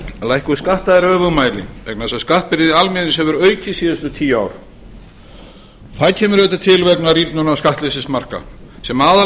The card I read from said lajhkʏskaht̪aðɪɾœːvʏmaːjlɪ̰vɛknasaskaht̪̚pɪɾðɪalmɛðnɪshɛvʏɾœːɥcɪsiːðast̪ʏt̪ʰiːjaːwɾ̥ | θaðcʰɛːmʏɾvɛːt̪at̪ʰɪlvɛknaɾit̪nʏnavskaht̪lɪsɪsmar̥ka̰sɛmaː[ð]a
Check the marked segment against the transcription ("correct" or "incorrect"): correct